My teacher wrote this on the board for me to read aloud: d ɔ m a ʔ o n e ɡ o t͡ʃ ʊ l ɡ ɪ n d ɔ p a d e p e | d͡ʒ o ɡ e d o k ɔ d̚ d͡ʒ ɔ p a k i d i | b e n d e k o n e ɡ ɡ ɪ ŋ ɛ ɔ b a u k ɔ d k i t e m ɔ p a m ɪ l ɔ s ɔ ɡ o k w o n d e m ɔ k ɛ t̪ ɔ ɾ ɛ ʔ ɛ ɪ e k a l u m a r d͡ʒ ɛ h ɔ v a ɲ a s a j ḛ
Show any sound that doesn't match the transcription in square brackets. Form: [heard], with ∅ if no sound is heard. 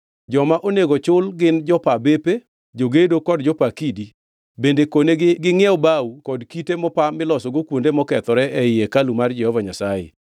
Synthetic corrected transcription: [d͡ʒ] ɔ m a ʔ o n e ɡ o t͡ʃ ʊ l ɡ ɪ n [d͡ʒ] ɔ p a [b] e p e | d͡ʒ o ɡ e d o k ɔ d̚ d͡ʒ ɔ p a k i d i | b e n d e k o n e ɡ ɡ ɪ ŋ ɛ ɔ b a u k ɔ d k i t e m ɔ p a m ɪ l ɔ s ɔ ɡ o k w o n d e m ɔ k ɛ t̪ ɔ ɾ ɛ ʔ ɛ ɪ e k a l u m a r d͡ʒ ɛ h ɔ v a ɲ a s a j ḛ